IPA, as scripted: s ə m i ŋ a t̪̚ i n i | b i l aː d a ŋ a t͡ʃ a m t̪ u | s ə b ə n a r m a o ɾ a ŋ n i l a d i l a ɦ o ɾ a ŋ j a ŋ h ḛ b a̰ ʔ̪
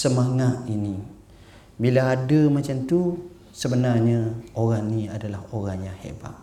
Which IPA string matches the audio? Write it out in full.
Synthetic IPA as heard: s ə m a ŋ a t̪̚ i n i | b i l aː d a m a t͡ʃ a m t̪ u | s ə b ə n a r ɲ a o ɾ a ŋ n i a d a l a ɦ o ɾ a ŋ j a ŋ h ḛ b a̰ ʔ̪